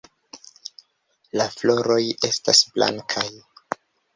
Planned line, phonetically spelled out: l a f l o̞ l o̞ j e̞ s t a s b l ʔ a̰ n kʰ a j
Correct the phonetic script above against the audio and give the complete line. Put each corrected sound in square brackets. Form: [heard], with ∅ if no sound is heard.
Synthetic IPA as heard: l a f l o̞ [ɾ] o̞ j e̞ s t a s b l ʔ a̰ [ŋ] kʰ a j